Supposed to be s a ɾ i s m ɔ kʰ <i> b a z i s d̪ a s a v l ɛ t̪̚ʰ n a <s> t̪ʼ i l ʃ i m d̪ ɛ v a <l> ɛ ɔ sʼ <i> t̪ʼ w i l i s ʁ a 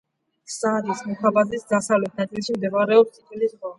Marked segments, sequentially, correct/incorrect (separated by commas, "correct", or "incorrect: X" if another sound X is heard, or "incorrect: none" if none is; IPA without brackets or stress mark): incorrect: a, incorrect: none, incorrect: ɾ, correct